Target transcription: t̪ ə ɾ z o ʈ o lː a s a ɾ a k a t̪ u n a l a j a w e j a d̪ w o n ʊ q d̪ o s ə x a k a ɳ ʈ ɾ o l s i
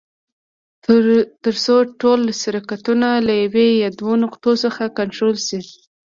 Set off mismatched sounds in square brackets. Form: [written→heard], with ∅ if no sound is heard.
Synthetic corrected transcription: t̪ ə ɾ [z→s] o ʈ o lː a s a ɾ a k a t̪ u n a l a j a w e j a d̪ w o n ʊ q [d̪→t̪] o s ə x a k a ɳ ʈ ɾ o l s i